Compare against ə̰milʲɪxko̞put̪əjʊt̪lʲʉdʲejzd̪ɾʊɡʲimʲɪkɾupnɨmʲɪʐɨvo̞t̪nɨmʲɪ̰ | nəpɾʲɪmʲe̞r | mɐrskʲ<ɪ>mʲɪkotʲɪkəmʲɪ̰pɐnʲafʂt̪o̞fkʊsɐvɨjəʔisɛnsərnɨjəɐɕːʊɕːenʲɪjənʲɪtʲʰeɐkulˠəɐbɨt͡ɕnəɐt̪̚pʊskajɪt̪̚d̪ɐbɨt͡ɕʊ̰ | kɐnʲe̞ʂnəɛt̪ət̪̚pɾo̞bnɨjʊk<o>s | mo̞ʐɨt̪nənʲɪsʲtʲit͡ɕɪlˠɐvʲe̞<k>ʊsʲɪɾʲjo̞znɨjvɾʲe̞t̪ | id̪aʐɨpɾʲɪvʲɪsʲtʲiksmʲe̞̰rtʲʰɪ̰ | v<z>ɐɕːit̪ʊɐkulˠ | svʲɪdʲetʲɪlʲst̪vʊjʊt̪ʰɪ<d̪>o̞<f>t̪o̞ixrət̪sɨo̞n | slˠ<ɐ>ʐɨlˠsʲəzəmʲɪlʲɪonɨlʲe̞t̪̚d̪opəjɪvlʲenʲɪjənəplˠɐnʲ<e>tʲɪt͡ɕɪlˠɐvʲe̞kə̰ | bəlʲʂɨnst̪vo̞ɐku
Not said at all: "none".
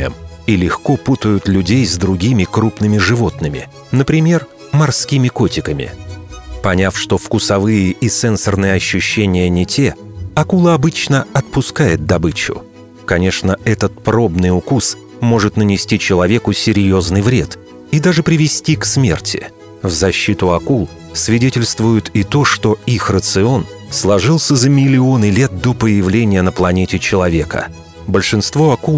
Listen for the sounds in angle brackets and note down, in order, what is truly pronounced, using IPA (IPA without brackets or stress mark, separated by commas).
i, u, k, z, t̪, ʂ, ɐ, e